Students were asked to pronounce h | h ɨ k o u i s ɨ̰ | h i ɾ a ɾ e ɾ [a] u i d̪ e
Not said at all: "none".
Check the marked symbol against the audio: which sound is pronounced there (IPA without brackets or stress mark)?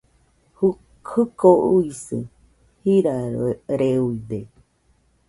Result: e